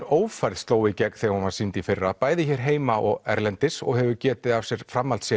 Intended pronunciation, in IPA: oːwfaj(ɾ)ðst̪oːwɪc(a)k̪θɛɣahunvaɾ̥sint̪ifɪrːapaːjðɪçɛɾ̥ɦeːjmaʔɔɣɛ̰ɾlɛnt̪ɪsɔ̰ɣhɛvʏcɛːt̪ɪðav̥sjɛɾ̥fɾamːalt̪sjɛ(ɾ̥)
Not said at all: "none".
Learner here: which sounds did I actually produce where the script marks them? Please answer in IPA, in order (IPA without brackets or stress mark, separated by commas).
ɾ, ɛ, none